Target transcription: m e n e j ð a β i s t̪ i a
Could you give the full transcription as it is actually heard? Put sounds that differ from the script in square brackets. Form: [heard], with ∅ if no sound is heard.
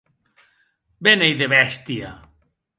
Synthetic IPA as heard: [b] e n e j ð [e] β [ɛ] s t̪ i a

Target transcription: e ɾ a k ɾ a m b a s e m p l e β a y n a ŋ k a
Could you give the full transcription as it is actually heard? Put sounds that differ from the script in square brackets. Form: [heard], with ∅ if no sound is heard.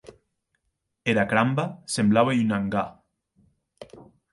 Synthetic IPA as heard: e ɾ a k ɾ a m b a s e m [b] l [a] β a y n a ŋ [ɡ] a

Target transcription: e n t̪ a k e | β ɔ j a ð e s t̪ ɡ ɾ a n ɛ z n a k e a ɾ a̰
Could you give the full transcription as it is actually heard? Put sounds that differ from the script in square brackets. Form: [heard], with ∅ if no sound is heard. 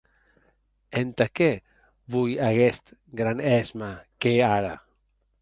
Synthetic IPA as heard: e n t̪ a k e | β [u] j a [ɣ] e s t̪ ɡ ɾ a n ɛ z [m] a k e a ɾ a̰

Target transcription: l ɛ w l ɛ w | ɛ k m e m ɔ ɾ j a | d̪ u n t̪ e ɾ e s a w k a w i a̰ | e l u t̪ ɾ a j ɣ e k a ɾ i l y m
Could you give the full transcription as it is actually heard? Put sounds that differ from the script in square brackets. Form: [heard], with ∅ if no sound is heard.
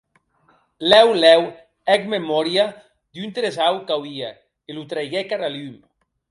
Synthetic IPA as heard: l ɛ w l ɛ w | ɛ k m e m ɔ ɾ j a | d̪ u n t̪ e ɾ e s a w k a w i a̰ | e l u t̪ ɾ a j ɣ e k a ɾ [a] l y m

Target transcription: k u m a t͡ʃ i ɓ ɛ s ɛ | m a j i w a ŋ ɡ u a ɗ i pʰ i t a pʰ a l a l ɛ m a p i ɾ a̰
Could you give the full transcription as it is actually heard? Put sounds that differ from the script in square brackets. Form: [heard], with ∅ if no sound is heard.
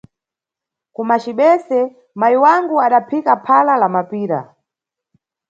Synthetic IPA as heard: k u m a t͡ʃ i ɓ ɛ s ɛ | m a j i w a ŋ ɡ u a ɗ [a] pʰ i [k] a pʰ a l a l [a] m a p [iː] ɾ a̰

